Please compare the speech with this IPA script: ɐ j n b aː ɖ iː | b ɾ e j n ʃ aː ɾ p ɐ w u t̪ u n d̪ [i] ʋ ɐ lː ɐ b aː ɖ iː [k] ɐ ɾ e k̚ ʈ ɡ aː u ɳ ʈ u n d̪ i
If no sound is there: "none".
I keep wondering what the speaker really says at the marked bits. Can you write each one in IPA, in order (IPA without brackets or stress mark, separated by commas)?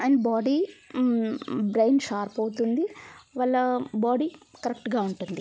i, k